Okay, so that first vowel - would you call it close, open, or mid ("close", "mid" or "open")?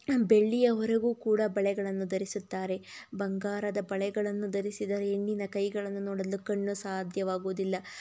mid